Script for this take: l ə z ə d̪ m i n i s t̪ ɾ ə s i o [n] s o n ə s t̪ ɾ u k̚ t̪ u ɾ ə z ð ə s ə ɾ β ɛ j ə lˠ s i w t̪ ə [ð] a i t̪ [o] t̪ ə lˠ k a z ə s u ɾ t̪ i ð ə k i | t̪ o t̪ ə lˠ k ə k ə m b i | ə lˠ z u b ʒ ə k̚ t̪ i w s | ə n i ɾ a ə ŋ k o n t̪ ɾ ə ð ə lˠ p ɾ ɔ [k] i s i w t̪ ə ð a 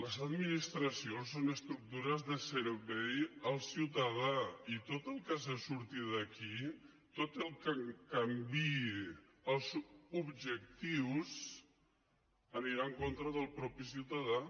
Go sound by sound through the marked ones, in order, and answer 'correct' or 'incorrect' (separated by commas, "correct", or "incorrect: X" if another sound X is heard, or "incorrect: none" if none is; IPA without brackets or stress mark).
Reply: correct, correct, correct, incorrect: p